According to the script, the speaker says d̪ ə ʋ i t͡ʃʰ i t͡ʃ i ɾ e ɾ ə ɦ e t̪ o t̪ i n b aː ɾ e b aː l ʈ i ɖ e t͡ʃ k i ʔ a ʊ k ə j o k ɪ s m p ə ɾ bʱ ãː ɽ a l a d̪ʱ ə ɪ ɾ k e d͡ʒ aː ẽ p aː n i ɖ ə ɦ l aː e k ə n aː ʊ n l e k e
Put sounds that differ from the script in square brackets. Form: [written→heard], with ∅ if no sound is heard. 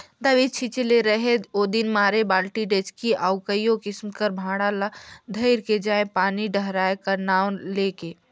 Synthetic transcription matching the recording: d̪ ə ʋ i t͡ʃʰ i t͡ʃ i [ɾ→l] e ɾ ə ɦ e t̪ o [t̪→d̪] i n [b→m] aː ɾ e b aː l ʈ i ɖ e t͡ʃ k i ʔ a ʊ k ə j o k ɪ s m [p→k] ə ɾ bʱ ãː ɽ a l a d̪ʱ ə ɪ ɾ k e d͡ʒ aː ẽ p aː n i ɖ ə ɦ [l→ɾ] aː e k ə n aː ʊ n l e k e

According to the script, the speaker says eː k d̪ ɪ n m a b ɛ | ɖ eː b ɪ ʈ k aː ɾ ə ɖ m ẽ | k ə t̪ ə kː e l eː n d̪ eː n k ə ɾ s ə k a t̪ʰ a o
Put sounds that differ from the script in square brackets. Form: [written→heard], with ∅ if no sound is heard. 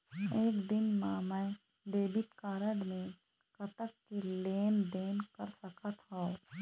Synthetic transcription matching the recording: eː k d̪ ɪ n m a [b→m] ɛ | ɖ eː b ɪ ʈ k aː ɾ ə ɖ m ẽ | k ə t̪ ə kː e l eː n d̪ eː n k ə ɾ s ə k a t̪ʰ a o

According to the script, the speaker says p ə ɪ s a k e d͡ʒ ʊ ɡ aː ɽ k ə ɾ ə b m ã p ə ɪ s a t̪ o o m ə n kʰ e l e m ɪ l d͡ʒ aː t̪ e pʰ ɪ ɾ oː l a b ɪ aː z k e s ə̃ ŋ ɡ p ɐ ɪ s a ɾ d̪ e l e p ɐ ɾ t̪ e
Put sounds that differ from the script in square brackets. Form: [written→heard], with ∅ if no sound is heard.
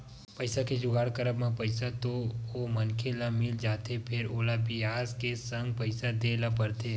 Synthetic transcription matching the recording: p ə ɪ s a k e d͡ʒ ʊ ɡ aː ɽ k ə ɾ ə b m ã p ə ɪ s a t̪ o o m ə n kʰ e l [e→a] m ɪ l d͡ʒ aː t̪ e pʰ ɪ ɾ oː l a b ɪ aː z k e s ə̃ ŋ ɡ p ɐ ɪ s a [ɾ→∅] d̪ e l [e→a] p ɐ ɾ t̪ e

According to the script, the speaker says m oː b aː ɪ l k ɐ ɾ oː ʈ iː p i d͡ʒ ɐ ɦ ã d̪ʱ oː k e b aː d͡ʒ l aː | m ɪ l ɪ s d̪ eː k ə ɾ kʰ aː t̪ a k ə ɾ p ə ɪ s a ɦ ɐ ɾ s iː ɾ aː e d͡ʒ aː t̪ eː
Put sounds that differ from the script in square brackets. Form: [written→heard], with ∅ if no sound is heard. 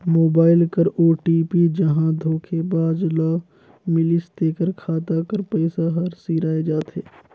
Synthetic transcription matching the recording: m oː b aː ɪ l k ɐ ɾ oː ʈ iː p i d͡ʒ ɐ ɦ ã d̪ʱ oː [k→kʰ] e b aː d͡ʒ l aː | m ɪ l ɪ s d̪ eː k ə ɾ kʰ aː t̪ a k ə ɾ p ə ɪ s a ɦ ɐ ɾ s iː ɾ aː e d͡ʒ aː t̪ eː

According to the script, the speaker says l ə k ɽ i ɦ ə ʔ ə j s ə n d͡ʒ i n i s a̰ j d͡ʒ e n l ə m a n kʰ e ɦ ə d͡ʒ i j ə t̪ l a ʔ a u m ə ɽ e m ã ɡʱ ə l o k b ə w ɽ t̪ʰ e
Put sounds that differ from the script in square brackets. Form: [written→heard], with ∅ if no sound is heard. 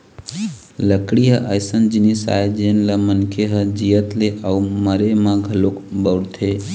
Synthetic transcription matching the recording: l ə k ɽ i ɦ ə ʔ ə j s ə n d͡ʒ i n i s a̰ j d͡ʒ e n l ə m [a→ə] n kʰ e ɦ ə d͡ʒ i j ə t̪ l [a→e] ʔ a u m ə [ɽ→ɾ] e m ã ɡʱ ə l o k b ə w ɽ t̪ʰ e

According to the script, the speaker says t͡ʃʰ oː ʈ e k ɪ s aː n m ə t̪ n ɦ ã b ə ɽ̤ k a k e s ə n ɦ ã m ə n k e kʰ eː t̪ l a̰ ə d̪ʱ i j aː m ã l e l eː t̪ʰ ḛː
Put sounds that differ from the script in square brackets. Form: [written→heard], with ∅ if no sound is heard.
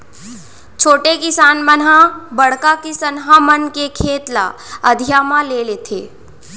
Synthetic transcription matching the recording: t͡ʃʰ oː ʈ e k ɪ s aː n m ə [t̪→∅] n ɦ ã b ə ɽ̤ k a k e s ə n ɦ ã m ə n k e kʰ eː t̪ l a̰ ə d̪ʱ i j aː m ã l e l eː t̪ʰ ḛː

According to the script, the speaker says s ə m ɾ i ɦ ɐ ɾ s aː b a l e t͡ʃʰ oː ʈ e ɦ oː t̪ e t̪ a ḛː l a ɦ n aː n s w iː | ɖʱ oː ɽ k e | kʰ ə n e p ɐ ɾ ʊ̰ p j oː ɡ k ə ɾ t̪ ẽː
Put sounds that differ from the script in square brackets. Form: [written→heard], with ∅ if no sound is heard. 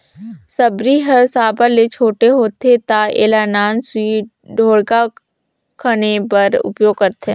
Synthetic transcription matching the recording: s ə [m→b] ɾ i ɦ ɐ ɾ s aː b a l e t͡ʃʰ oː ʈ e ɦ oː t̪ e t̪ a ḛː l a [ɦ→∅] n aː n s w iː | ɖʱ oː ɽ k [e→a] | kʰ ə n e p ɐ ɾ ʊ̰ p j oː ɡ k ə ɾ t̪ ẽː

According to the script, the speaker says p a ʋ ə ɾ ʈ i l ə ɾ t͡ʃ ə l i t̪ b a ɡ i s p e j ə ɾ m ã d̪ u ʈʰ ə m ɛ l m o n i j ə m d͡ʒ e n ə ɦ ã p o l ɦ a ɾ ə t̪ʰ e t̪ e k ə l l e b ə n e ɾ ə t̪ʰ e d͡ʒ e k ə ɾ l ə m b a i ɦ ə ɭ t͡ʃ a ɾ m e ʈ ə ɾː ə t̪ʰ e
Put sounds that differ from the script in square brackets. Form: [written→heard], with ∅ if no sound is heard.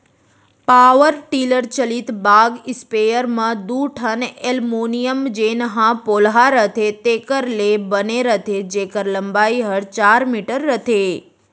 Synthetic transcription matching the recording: p a ʋ ə ɾ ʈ i l ə ɾ t͡ʃ ə l i t̪ b a ɡ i s p e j ə ɾ m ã d̪ u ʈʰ ə [m→n] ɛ l m o n i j ə m d͡ʒ e n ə ɦ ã p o l ɦ a ɾ ə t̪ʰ e t̪ e k ə [l→ɾ] l e b ə n e ɾ ə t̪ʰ e d͡ʒ e k ə ɾ l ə m b a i ɦ ə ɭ t͡ʃ a ɾ m [e→i] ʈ ə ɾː ə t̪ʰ e

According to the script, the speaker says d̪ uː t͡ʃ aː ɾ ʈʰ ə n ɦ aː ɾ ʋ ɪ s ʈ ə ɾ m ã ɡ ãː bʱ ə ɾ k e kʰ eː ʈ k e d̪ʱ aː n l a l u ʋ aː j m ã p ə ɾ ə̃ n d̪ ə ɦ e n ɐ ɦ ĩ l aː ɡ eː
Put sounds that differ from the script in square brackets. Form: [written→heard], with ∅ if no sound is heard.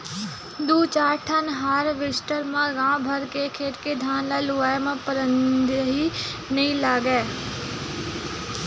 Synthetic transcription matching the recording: d̪ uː t͡ʃ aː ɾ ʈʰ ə n ɦ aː ɾ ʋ ɪ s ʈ ə ɾ m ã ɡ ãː bʱ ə ɾ k e kʰ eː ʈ k e d̪ʱ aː n l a l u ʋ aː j m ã p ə ɾ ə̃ n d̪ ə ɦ [e→i] n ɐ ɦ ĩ l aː ɡ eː

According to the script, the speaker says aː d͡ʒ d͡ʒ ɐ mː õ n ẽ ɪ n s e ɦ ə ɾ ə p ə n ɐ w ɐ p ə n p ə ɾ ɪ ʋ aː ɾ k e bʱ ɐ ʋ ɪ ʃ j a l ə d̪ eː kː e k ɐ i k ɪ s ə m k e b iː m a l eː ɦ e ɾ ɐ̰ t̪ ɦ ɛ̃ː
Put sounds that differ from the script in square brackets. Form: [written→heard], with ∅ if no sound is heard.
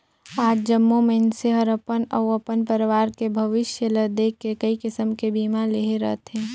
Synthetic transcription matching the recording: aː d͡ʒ d͡ʒ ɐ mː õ [n→m] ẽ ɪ n s e ɦ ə ɾ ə p ə n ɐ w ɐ p ə n p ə ɾ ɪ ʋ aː ɾ k e bʱ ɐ ʋ ɪ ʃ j [a→ə] l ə d̪ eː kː e k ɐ i k ɪ s ə m k e b iː m a l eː ɦ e ɾ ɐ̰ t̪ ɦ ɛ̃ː

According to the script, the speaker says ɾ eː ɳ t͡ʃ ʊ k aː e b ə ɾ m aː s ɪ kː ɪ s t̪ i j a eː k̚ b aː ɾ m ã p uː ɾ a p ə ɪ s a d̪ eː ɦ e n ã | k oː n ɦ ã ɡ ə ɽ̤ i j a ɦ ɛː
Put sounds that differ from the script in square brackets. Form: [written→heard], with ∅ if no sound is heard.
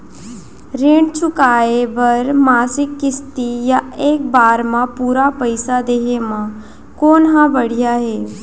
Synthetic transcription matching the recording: ɾ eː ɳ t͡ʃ ʊ k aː e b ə ɾ m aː s ɪ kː ɪ s t̪ i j a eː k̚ b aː ɾ m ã p uː ɾ a p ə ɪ s a d̪ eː ɦ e [n→m] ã | k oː n ɦ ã [ɡ→b] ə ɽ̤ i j a ɦ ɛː

